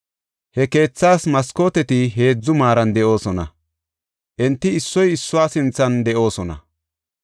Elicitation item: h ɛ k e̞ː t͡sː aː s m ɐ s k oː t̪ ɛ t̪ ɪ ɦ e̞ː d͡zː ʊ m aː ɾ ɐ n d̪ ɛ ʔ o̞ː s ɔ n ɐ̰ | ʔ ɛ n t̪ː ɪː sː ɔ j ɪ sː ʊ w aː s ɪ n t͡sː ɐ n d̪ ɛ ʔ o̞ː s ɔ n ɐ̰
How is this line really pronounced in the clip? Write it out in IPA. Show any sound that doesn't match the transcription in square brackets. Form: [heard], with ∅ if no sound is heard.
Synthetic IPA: h ɛ k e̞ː t͡sː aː s m ɐ s k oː t̪ ɛ t̪ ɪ ɦ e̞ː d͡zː ʊ m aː ɾ ɐ n d̪ ɛ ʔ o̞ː s ɔ n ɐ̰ | ʔ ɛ n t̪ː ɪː sː ɔ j ɪ sː ʊ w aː s ɪ n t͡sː ɐ n d̪ ɛ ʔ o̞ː s ɔ n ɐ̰